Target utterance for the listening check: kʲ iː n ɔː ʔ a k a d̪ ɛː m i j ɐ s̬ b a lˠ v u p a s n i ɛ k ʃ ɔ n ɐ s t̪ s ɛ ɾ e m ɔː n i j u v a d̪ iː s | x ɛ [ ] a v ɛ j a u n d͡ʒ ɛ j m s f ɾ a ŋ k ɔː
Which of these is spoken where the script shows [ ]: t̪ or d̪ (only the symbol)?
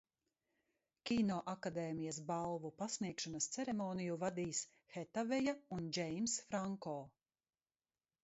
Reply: t̪